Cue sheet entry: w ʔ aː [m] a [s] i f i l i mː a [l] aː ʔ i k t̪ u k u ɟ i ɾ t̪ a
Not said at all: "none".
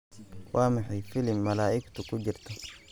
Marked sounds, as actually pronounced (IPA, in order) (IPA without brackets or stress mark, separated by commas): m, ħ, l